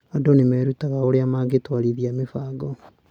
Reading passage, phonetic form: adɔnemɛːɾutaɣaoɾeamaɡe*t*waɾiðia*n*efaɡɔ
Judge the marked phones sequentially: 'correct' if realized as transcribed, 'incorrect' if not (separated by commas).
correct, incorrect